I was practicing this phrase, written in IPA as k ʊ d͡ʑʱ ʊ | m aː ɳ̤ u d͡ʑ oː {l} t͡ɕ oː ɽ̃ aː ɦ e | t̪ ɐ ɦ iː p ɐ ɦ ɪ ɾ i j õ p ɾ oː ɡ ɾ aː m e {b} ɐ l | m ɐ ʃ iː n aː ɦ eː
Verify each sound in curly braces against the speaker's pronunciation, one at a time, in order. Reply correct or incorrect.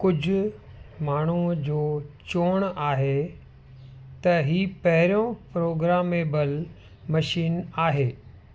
incorrect, correct

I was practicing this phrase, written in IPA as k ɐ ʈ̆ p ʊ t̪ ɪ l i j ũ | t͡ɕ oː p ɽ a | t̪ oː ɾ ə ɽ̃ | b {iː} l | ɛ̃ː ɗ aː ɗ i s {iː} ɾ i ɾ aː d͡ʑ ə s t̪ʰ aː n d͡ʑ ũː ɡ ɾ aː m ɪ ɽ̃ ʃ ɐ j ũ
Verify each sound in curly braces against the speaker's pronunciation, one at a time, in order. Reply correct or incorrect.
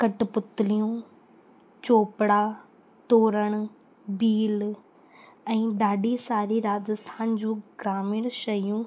correct, incorrect

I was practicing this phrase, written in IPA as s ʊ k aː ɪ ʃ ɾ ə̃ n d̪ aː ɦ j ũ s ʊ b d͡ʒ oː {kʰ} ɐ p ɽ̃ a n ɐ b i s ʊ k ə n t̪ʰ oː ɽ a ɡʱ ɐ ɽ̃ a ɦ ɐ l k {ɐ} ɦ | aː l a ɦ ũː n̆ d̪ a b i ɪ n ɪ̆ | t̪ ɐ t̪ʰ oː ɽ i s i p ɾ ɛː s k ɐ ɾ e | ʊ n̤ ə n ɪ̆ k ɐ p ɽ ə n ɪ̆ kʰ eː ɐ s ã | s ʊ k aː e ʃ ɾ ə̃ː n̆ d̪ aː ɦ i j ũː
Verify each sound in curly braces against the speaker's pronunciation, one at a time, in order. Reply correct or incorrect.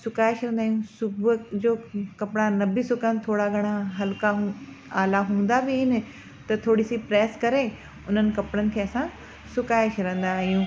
incorrect, incorrect

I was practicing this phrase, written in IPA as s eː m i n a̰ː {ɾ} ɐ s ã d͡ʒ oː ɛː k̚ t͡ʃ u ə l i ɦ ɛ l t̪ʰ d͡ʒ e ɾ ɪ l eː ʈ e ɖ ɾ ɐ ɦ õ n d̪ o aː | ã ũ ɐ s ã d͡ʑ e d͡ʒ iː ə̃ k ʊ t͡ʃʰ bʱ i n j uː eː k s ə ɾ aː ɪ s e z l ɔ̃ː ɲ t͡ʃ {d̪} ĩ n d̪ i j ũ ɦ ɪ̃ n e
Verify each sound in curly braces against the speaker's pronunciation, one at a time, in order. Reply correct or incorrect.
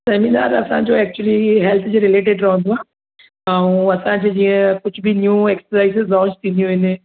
correct, incorrect

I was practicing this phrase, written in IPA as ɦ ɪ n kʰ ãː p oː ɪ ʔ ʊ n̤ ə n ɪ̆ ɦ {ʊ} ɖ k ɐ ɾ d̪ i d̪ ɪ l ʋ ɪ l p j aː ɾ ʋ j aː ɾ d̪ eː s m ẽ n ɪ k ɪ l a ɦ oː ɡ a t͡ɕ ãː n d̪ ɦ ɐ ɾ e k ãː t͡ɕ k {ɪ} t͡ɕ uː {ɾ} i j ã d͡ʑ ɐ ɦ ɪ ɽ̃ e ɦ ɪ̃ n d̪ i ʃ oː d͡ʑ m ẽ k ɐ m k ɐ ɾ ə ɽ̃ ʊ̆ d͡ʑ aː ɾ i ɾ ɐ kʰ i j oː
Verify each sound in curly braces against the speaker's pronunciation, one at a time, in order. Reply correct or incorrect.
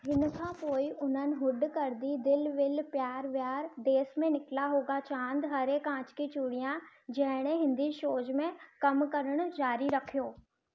correct, incorrect, incorrect

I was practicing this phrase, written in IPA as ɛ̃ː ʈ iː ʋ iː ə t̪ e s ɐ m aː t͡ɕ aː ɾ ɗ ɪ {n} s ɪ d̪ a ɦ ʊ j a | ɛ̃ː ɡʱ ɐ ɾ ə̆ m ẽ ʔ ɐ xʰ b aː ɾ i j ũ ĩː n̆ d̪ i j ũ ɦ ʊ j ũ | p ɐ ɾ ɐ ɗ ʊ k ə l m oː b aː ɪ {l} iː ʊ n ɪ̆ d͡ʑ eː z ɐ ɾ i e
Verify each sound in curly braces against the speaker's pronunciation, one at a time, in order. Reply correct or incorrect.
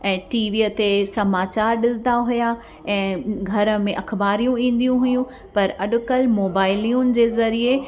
incorrect, correct

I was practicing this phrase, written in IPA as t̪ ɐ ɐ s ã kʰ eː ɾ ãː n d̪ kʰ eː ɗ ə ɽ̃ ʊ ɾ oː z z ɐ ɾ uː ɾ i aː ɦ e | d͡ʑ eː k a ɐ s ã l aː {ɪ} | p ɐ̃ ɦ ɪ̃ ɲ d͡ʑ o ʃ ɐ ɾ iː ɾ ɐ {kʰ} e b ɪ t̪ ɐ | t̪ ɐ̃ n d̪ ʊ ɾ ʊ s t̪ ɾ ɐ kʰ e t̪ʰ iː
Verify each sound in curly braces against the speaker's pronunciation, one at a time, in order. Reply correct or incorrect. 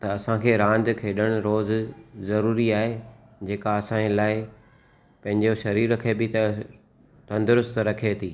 correct, correct

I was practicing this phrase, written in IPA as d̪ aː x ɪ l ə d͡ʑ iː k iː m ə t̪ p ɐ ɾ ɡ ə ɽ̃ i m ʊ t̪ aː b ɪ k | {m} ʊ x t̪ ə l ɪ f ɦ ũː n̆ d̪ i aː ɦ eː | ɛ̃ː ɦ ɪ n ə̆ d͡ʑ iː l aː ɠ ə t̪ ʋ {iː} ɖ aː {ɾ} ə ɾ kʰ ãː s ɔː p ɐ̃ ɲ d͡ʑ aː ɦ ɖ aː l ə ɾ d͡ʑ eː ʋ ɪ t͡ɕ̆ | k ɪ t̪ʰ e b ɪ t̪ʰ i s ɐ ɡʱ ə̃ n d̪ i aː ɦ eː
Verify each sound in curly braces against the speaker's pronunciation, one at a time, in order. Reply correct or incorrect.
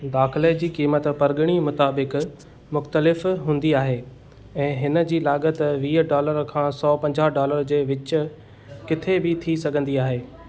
correct, correct, incorrect

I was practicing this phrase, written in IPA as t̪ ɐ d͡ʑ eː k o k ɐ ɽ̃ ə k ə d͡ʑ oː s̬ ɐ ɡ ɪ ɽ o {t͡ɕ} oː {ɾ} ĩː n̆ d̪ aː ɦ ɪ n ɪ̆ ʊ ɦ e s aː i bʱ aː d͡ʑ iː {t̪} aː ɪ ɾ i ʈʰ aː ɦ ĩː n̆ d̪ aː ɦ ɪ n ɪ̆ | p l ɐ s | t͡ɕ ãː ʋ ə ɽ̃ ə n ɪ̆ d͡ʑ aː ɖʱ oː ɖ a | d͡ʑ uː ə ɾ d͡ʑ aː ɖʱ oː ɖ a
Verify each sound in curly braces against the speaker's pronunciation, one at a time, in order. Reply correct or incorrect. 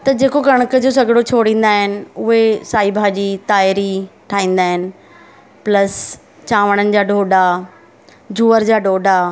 incorrect, incorrect, correct

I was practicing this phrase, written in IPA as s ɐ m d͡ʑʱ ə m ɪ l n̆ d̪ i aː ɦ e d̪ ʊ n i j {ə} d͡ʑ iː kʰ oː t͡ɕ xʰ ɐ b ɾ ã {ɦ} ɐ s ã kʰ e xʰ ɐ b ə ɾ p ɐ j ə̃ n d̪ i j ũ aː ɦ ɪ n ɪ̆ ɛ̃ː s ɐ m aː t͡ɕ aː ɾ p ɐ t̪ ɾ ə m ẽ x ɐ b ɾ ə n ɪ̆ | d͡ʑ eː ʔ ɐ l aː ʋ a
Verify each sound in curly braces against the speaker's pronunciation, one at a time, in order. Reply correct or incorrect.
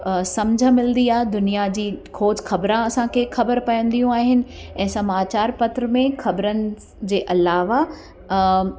incorrect, incorrect

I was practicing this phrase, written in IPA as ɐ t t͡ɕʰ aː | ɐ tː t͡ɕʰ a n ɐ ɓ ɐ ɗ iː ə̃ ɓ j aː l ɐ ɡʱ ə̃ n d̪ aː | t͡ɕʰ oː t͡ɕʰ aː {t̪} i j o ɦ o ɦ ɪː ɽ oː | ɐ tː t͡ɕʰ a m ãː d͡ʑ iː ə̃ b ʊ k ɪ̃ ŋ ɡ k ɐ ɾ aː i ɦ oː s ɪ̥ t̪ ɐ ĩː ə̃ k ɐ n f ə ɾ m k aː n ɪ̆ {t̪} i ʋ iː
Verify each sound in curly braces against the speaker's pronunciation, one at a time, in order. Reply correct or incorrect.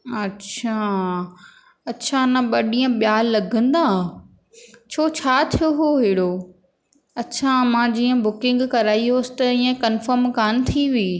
incorrect, incorrect

